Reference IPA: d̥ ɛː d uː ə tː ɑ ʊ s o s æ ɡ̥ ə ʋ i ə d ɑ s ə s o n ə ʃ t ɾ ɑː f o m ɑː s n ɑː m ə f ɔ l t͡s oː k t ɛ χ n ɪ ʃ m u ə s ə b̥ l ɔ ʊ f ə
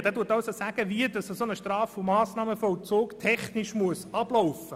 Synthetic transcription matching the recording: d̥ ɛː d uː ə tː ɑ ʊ s o s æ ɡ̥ ə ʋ i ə d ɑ s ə s o n ə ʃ t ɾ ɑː f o m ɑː s n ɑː m ə f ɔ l t͡s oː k tʰ ɛ χ n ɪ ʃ m u ə s ɑ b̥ l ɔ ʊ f ə